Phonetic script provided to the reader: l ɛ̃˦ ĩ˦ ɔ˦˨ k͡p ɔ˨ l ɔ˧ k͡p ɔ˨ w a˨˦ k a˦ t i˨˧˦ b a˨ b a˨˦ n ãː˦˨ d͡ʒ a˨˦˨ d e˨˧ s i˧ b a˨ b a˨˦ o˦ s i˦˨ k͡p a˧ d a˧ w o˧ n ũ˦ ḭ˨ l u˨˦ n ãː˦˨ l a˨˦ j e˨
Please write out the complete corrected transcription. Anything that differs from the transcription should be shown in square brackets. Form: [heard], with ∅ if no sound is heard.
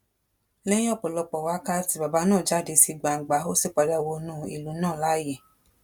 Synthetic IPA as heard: l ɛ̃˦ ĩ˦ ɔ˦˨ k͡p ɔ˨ l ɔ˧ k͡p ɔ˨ w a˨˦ k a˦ t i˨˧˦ b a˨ b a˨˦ n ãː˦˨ d͡ʒ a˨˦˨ d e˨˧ s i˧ [ɡ͡b] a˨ [ɡ͡b] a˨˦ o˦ s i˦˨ k͡p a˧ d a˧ w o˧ n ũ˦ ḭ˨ l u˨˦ n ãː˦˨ l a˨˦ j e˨